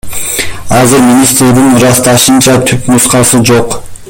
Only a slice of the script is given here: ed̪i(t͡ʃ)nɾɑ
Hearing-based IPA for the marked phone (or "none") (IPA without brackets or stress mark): none